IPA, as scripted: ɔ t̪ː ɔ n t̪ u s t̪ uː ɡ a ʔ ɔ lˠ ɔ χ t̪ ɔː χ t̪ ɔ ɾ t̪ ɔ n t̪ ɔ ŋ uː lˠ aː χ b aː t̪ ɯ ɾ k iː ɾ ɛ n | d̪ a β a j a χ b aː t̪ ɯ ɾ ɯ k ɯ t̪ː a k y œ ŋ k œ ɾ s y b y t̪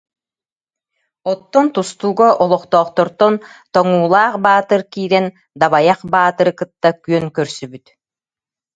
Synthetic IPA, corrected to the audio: ɔ t̪ː ɔ n t̪ u s t̪ uː ɡ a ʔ ɔ lˠ ɔ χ t̪ ɔː χ t̪ ɔ ɾ t̪ ɔ n t̪ ɔ ŋ uː lˠ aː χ b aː t̪ ɯ ɾ k iː ɾ ɛ n | d̪ a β a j a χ b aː t̪ ɯ ɾ ɯ k ɯ t̪ː a k y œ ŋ k œ ɾ s y b y t̪